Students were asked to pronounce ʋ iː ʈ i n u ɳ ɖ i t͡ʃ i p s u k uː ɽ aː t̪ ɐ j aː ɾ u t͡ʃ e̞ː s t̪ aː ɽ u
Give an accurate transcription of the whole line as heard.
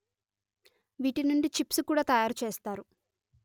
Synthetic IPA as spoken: ʋ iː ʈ i n u ɳ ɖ i t͡ʃ i p s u k uː ɽ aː t̪ ɐ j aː ɾ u t͡ʃ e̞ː s t̪ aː ɾ u